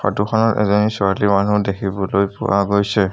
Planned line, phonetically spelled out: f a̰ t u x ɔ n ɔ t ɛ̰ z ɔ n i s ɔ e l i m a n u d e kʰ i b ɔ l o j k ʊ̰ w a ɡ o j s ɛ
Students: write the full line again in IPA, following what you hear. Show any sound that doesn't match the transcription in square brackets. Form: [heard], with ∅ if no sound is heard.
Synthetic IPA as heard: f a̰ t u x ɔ n ɔ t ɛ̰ z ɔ n i s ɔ [a] l i m a n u d e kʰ i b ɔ l o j [p] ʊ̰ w a ɡ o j s ɛ